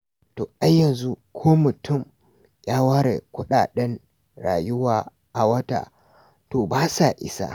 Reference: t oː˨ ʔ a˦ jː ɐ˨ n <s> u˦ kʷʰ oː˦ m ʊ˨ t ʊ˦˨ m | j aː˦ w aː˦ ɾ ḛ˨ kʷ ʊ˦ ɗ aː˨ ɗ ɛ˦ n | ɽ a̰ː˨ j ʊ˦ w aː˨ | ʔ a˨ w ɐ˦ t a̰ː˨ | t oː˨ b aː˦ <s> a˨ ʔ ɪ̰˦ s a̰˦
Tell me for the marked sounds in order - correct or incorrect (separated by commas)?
incorrect, correct